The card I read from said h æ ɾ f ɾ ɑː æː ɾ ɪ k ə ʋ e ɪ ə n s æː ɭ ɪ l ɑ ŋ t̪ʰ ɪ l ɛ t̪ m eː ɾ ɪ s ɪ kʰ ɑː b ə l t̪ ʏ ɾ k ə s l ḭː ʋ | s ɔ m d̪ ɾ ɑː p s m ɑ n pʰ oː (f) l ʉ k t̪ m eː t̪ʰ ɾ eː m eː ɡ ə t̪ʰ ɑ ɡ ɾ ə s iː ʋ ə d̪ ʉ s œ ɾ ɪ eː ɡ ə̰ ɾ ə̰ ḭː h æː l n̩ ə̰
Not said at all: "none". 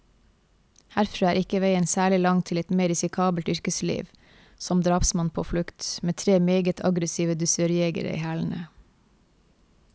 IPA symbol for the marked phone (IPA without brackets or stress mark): f